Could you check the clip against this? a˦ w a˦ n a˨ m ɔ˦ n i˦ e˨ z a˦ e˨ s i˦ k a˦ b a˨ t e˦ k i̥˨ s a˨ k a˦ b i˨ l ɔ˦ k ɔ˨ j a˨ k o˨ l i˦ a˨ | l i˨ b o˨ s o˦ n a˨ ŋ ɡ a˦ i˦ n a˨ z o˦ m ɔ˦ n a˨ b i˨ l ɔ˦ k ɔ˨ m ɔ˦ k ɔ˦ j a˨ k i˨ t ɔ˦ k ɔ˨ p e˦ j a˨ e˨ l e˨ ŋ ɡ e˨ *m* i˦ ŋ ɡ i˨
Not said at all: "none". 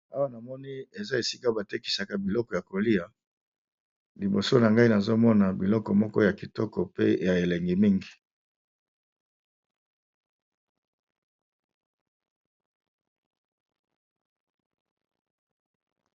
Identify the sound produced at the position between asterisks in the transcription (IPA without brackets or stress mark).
m